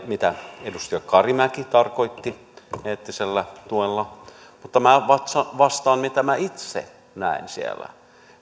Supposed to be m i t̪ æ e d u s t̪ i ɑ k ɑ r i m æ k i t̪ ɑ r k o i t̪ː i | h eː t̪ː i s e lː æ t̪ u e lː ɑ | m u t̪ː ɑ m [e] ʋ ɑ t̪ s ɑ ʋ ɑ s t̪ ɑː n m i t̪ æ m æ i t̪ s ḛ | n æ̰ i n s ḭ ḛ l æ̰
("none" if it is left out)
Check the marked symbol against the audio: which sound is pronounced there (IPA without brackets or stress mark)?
æ